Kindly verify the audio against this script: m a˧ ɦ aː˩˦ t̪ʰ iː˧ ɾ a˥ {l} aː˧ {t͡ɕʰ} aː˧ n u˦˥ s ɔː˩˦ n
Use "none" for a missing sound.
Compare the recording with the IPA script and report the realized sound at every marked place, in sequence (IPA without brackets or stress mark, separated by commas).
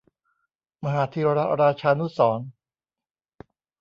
ɾ, t͡ɕʰ